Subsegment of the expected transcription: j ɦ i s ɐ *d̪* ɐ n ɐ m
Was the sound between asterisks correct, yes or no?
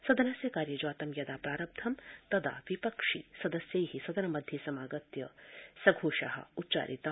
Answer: yes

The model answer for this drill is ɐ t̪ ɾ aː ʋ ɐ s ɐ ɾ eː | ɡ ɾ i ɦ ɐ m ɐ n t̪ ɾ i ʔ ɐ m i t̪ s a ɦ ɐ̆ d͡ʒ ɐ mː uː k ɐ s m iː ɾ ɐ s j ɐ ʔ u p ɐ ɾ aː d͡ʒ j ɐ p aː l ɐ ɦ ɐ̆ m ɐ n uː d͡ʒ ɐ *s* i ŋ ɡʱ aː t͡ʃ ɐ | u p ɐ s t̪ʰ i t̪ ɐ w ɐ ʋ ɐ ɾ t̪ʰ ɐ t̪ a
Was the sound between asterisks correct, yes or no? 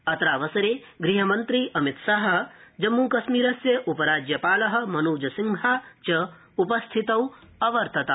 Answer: yes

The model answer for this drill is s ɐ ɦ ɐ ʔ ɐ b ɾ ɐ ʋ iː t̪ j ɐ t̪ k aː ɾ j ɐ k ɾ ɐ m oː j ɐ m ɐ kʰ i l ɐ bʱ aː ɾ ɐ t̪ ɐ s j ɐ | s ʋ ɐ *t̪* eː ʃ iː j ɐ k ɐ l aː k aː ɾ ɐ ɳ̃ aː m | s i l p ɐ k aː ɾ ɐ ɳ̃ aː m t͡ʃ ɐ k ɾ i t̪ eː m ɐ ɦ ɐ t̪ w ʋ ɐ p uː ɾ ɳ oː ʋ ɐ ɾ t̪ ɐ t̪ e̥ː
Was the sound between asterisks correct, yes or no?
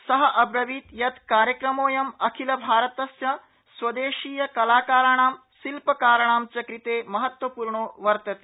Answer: no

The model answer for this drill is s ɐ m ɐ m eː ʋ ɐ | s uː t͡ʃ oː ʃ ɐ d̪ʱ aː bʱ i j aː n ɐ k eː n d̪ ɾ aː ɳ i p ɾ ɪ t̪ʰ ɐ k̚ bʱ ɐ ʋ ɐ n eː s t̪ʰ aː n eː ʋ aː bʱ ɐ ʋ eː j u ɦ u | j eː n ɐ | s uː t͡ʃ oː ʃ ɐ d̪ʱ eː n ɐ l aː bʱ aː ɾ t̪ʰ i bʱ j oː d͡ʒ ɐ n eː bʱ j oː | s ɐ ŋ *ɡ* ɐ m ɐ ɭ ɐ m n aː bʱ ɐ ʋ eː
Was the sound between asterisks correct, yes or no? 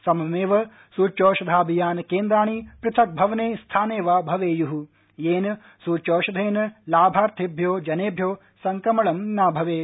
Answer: no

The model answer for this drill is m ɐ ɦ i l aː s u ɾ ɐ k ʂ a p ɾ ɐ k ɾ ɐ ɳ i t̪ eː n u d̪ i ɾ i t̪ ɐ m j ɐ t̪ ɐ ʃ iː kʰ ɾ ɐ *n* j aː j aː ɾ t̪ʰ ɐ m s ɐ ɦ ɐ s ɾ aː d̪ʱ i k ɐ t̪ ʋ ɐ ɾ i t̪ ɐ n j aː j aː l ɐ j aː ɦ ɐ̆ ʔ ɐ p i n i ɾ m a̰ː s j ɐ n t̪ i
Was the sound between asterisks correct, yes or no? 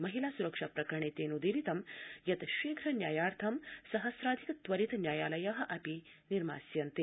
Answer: yes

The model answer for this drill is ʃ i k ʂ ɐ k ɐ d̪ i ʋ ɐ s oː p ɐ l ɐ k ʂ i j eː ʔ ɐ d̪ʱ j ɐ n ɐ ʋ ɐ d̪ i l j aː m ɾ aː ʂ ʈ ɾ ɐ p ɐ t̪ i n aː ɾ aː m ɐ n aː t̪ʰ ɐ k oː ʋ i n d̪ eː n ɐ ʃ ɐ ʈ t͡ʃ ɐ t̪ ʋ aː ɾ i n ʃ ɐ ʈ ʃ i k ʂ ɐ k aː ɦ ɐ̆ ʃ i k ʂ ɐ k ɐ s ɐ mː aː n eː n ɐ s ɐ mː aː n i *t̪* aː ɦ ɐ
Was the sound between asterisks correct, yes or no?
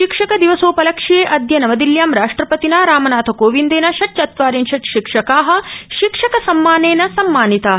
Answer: yes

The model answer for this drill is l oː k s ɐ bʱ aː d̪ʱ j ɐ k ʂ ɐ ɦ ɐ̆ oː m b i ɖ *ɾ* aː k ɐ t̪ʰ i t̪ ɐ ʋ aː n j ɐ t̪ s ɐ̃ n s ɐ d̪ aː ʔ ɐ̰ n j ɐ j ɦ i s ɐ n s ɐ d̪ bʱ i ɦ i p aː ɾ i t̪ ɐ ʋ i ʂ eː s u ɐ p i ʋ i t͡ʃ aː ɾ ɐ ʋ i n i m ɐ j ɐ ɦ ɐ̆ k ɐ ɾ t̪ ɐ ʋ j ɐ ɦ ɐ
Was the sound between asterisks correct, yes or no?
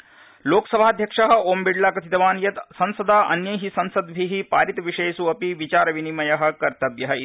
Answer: no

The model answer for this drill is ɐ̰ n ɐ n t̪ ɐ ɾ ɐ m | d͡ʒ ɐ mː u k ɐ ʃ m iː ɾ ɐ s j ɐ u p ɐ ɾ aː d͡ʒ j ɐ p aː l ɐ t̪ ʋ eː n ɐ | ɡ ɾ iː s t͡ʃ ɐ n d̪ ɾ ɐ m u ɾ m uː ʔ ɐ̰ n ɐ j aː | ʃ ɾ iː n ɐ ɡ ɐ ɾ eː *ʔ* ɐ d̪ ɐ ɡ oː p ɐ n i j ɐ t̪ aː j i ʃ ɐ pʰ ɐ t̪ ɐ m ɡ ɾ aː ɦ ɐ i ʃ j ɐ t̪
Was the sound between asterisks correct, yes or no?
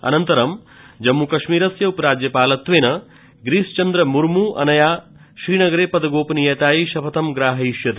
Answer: no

